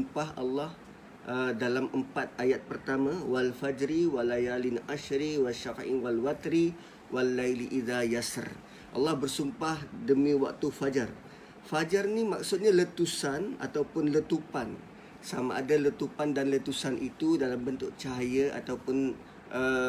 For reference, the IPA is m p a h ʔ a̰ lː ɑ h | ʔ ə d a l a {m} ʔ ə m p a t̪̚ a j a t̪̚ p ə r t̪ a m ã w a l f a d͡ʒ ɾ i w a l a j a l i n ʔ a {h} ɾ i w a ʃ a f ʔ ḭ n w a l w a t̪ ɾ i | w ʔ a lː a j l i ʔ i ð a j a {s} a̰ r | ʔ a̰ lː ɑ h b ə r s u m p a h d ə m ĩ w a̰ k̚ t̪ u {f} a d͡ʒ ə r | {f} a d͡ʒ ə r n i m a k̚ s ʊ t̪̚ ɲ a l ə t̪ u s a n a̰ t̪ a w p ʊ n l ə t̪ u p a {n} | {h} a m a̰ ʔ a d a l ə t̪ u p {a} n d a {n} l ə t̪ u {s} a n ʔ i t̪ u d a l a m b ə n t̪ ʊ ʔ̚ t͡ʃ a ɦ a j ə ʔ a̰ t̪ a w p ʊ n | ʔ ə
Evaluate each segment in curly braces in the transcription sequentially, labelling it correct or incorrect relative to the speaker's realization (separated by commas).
correct, incorrect, correct, correct, correct, correct, incorrect, correct, correct, correct